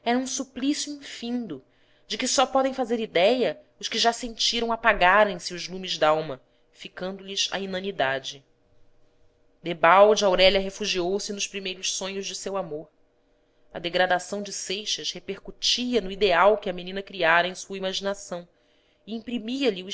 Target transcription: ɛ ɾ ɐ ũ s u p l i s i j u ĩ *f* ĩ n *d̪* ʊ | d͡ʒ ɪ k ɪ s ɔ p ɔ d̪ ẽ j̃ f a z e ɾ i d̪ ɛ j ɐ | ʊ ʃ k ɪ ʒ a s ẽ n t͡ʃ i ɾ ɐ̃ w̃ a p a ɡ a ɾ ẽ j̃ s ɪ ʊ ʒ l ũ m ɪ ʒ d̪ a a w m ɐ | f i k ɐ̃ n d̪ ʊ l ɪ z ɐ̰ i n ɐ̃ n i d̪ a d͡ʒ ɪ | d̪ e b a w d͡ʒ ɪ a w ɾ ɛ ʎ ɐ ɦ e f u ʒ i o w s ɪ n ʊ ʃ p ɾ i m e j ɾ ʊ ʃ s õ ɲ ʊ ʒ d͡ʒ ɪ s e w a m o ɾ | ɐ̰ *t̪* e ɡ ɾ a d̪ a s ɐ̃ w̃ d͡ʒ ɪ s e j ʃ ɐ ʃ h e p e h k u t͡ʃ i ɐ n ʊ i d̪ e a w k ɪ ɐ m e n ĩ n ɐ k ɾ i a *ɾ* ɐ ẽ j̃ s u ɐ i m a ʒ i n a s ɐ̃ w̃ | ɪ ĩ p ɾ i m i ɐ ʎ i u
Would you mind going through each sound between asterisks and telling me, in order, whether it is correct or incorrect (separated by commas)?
correct, correct, incorrect, correct